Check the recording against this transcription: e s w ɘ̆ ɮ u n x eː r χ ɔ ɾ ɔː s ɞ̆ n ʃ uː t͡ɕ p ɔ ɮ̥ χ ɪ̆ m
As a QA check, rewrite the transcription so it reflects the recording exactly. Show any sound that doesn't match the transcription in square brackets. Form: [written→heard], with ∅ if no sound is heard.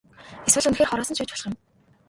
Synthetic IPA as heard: e s w ɘ̆ ɮ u n x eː r χ ɔ ɾ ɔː s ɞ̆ n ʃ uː t͡ɕ p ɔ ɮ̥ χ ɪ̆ m